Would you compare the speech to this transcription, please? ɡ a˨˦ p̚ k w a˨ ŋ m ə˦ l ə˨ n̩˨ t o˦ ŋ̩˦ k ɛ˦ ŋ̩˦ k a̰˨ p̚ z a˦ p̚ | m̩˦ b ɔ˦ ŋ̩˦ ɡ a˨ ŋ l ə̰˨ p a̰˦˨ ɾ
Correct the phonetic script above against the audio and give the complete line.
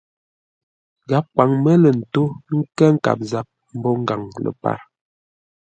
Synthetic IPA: ɡ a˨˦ p̚ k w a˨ ŋ m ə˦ l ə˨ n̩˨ t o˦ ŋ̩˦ k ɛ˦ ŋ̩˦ k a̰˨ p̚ z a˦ p̚ | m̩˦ b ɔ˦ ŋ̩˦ ɡ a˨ ŋ l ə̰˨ p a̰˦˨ ɾ